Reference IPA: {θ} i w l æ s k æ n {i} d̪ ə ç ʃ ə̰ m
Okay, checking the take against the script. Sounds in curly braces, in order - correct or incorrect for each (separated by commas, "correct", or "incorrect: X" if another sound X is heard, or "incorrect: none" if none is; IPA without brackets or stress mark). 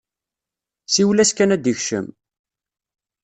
incorrect: s, incorrect: æ